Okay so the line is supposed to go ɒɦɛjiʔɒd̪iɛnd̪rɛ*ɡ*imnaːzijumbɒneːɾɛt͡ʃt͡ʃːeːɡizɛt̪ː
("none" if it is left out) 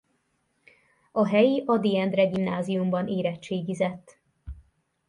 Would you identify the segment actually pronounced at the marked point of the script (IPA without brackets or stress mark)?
ɡ